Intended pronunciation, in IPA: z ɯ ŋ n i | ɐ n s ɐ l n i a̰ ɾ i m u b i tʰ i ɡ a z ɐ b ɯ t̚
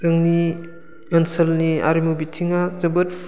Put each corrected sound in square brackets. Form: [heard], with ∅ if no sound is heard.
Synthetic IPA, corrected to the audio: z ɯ ŋ n i | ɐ n s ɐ l n i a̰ ɾ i m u b i tʰ i [ŋ] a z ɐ b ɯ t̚